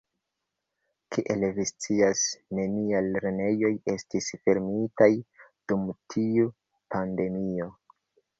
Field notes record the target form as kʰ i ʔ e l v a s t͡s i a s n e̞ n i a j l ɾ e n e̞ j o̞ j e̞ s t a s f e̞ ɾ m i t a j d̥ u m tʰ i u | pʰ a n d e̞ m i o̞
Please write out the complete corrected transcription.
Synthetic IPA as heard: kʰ i ʔ e l v i s t͡s i a s n e̞ n i a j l ɾ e n e̞ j o̞ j e̞ s t i s f e̞ ɾ m i t a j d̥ u m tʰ i u | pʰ a n d e̞ m i o̞

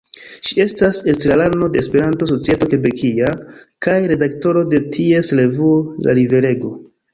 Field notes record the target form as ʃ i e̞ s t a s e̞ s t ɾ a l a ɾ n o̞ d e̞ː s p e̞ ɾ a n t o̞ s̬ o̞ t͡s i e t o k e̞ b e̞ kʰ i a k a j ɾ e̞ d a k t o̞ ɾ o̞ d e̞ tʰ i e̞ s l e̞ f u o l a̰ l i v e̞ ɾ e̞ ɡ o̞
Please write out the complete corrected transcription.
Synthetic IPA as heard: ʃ i e̞ s t a s e̞ s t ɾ a l a ɾ n o̞ d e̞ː s p e̞ ɾ a n t o̞ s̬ o̞ t͡s i e t o k e̞ b e̞ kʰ i a k a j ɾ e̞ d a k t o̞ ɾ o̞ d e̞ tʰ i e̞ s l e̞ v u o l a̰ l i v e̞ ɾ e̞ ɡ o̞

